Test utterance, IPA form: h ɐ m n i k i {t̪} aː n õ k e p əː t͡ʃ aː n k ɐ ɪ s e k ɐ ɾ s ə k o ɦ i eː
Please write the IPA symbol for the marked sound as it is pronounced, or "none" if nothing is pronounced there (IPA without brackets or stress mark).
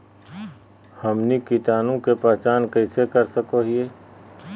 t̪